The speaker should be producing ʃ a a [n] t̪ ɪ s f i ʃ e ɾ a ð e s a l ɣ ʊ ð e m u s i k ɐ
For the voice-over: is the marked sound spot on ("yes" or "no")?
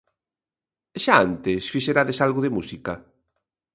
yes